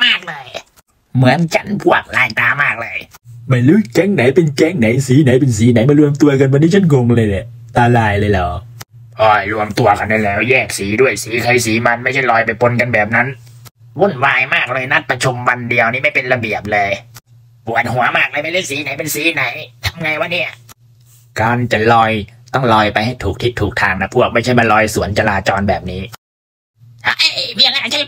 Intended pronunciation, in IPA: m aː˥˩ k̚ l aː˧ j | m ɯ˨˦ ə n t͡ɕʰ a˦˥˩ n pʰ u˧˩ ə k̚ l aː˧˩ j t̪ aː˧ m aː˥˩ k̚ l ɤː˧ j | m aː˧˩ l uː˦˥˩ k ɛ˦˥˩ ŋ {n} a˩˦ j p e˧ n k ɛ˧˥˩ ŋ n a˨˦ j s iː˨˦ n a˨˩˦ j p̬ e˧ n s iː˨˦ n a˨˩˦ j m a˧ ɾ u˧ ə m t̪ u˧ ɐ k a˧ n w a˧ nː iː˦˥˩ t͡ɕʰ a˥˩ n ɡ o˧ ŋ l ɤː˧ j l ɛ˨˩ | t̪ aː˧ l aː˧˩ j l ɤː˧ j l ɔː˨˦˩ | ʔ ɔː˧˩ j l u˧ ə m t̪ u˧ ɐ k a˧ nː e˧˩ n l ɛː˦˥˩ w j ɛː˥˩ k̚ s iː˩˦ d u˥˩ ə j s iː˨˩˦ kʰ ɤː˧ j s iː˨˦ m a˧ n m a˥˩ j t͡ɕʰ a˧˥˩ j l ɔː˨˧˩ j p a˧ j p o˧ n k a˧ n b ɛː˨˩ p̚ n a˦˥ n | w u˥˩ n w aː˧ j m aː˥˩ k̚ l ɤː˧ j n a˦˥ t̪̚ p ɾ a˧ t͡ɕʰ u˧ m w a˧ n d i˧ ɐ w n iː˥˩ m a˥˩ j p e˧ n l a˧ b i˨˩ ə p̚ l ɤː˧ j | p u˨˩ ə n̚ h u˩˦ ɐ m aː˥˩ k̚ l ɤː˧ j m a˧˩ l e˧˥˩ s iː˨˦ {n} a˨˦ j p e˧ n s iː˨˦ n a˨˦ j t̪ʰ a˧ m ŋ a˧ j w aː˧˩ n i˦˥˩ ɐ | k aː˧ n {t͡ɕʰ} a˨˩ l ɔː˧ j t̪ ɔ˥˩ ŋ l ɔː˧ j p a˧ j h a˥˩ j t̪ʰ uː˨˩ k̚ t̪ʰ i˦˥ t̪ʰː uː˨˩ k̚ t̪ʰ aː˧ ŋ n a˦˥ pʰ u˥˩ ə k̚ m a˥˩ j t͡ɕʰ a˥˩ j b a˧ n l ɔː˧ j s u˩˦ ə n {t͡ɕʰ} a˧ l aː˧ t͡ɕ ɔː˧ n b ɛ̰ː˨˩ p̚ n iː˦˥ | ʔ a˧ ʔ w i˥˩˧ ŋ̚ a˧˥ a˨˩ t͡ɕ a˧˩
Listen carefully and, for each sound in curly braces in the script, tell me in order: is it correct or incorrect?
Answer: correct, correct, incorrect: t͡ɕ, incorrect: t͡ɕ

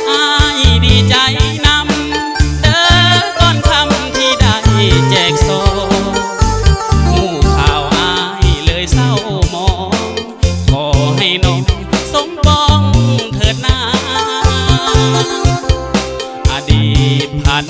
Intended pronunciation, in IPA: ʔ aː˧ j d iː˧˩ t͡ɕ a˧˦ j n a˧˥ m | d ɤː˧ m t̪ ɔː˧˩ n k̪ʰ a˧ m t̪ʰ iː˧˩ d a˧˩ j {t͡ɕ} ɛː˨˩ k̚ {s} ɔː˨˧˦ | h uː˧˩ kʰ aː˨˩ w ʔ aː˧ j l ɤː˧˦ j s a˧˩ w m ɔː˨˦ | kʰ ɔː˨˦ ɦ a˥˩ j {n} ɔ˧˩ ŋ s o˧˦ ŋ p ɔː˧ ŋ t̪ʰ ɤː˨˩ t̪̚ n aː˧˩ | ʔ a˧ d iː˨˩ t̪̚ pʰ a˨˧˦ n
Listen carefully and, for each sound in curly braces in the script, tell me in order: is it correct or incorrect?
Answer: correct, correct, correct

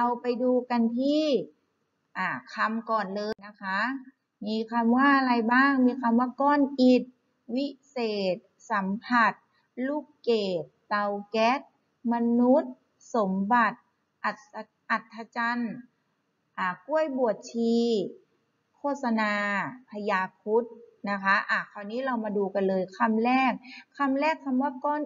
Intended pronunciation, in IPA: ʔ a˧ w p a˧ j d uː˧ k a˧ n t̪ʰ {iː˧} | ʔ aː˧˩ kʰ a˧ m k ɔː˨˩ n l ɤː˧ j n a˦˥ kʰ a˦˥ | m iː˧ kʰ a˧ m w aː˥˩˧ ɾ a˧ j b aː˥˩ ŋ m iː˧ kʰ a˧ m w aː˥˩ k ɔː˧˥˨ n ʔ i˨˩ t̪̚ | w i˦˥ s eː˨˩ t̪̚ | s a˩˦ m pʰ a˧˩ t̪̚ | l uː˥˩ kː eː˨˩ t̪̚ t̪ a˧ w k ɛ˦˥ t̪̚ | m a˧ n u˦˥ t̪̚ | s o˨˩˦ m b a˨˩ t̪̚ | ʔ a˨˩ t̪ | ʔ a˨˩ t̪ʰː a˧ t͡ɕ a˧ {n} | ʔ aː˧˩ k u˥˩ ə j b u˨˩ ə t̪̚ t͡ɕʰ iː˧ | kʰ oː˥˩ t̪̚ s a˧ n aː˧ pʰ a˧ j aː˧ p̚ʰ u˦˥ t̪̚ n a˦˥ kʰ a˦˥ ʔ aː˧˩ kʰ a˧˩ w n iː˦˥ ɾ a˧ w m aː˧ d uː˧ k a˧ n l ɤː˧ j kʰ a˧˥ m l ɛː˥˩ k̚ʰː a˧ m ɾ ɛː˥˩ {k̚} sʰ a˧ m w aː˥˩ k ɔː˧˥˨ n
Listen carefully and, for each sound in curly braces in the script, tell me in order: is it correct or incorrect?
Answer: incorrect: iː˥˩, correct, correct

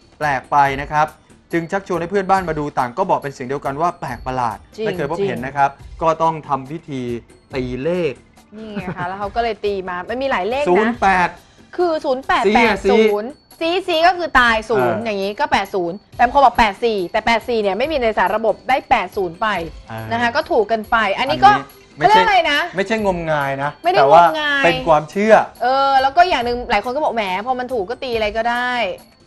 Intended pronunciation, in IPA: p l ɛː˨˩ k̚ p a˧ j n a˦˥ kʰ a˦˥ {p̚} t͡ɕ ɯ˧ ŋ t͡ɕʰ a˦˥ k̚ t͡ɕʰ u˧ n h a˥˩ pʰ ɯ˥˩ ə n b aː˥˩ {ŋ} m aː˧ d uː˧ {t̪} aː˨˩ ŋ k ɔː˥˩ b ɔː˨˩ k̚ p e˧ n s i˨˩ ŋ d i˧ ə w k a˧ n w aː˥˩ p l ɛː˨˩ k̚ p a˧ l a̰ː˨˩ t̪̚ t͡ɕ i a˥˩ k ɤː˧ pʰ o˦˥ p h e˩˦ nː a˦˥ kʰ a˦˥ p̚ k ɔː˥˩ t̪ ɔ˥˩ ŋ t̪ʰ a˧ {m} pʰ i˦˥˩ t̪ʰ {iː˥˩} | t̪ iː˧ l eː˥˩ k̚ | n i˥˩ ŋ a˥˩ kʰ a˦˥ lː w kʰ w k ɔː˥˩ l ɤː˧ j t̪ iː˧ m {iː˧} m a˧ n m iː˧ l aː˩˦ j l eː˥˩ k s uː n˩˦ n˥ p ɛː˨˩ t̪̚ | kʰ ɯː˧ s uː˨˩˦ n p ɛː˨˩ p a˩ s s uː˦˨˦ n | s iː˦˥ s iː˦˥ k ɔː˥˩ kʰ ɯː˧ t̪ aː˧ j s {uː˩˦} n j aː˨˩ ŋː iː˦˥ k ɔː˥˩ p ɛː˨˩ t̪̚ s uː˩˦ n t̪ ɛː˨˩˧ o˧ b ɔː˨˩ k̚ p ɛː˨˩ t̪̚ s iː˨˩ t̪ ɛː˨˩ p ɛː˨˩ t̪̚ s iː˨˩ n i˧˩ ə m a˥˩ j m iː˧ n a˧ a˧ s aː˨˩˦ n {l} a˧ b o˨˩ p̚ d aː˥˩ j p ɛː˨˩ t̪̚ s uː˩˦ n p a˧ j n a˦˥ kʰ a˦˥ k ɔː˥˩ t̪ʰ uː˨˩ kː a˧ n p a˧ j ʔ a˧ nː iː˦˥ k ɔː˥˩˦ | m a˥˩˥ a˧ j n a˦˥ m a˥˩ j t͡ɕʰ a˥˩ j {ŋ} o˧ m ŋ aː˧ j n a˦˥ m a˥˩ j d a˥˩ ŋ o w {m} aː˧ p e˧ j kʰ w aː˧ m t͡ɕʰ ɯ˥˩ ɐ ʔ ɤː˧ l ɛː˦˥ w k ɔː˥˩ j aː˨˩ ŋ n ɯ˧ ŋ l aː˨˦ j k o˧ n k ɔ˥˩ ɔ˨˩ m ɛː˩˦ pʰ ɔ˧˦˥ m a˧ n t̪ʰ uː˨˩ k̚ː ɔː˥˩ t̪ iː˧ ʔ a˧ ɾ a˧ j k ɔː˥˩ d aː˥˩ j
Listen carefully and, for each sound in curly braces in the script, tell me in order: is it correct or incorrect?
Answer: correct, incorrect: n, correct, correct, incorrect: iː˧, incorrect: aː˧, correct, incorrect: ɾ, correct, incorrect: ŋ

